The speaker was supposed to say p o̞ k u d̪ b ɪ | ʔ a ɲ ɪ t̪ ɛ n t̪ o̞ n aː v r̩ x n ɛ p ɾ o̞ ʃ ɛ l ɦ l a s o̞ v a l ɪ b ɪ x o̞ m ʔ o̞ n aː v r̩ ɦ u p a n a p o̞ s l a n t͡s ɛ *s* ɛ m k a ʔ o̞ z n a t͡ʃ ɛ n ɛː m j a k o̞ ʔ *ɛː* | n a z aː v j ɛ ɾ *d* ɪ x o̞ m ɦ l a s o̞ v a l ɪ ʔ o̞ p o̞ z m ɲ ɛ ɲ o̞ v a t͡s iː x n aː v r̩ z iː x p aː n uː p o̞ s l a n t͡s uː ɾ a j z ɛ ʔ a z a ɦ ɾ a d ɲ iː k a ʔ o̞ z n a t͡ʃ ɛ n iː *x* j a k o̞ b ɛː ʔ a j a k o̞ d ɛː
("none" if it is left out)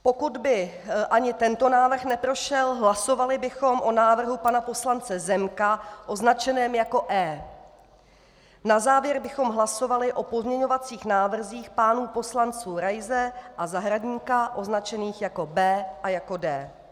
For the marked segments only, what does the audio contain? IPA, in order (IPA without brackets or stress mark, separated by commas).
z, ɛː, b, x